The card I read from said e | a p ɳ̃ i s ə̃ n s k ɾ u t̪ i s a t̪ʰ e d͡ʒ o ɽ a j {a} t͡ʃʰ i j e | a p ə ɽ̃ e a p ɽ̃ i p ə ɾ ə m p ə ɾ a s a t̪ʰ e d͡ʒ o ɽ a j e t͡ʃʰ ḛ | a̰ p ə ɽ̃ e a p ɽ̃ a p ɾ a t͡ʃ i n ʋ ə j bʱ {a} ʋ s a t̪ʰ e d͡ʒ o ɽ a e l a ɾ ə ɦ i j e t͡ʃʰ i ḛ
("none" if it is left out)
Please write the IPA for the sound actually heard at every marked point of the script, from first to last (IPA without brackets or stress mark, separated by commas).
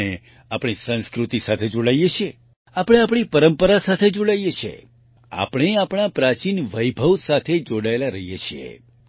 e, ə